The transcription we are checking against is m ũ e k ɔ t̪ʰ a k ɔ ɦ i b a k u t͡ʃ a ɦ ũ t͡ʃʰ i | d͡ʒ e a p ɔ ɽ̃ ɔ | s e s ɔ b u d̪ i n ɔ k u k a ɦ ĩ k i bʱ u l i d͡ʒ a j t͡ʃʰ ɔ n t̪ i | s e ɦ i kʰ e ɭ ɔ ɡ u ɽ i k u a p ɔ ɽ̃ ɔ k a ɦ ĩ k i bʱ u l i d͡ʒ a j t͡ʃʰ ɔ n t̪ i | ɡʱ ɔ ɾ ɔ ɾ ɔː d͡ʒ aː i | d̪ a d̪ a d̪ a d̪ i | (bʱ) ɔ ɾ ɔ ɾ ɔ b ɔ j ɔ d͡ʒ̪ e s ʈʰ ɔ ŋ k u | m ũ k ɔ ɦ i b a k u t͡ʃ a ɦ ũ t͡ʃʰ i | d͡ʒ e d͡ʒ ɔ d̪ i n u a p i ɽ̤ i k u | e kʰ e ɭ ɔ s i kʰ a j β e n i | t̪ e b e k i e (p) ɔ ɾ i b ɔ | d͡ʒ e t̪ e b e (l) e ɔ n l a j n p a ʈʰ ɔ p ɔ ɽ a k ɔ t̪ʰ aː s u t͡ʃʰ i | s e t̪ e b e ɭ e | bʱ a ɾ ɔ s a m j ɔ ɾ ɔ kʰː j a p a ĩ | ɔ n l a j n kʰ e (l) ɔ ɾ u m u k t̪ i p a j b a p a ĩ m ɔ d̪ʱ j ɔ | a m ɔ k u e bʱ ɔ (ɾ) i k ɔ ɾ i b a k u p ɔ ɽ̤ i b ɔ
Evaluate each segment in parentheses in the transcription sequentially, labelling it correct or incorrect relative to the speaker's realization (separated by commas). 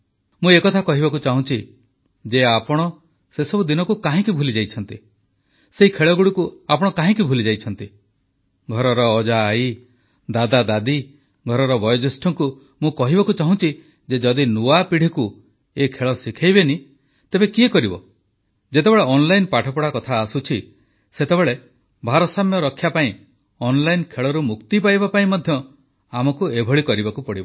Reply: incorrect, incorrect, incorrect, incorrect, incorrect